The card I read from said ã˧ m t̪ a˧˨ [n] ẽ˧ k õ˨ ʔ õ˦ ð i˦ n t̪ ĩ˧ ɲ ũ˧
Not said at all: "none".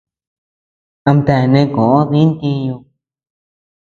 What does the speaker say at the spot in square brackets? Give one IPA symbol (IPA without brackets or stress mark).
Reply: n